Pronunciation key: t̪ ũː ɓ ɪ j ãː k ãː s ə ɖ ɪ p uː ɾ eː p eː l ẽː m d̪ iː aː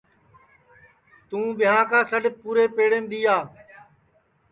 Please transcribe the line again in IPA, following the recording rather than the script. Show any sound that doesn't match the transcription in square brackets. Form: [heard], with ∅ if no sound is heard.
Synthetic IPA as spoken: t̪ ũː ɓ ɪ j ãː k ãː s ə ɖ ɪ p uː ɾ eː p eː [ɽ] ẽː m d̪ iː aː